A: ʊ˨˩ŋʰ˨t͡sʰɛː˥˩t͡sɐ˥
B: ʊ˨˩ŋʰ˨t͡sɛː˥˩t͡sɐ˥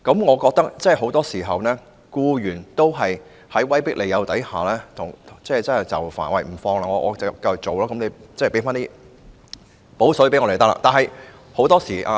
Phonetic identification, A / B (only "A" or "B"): B